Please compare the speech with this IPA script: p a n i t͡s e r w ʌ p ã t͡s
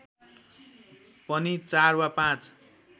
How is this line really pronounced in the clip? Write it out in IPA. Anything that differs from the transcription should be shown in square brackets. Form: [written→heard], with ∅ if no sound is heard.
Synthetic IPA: p [a→ʌ] n i t͡s [e→a] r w [ʌ→a] p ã t͡s